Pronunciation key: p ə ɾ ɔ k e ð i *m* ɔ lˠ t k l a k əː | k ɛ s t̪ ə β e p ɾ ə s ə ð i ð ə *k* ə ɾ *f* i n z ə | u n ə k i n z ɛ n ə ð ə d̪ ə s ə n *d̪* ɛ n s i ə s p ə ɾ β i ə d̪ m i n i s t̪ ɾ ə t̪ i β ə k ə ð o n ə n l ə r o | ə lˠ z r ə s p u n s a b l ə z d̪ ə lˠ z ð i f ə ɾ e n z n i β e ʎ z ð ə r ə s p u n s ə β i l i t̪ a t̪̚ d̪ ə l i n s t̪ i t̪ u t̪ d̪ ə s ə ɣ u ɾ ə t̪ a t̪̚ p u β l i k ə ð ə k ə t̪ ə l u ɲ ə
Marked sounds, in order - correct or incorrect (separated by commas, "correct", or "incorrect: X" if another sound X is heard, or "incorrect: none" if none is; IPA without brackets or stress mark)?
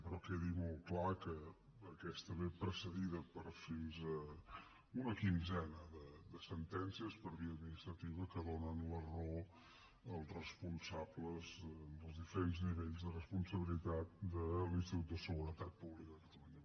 correct, incorrect: p, correct, incorrect: t̪